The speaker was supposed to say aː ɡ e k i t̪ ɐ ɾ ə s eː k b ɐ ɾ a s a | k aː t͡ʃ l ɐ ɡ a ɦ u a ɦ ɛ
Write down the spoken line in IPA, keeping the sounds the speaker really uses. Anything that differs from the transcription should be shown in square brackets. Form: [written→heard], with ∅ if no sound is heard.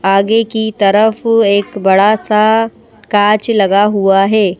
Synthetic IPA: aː ɡ e k i t̪ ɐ ɾ ə [s→f] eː k b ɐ [ɾ→ɽ] a s a | k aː t͡ʃ l ɐ ɡ a ɦ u a ɦ [ɛ→ɛː]